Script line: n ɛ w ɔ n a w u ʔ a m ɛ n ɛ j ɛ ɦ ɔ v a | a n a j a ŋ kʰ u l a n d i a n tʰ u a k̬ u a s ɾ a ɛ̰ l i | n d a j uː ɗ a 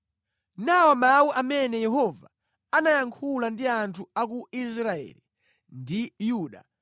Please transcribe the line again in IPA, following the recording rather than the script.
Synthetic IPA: n a w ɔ m a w u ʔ a m ɛ n ɛ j ɛ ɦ ɔ v a | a n a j a ŋ kʰ u l a n d i a n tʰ u a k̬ u i s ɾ a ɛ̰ l i | n d i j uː ɗ a